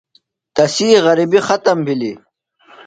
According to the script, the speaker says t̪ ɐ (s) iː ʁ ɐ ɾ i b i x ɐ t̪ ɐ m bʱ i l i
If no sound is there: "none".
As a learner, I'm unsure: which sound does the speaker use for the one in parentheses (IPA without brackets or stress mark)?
s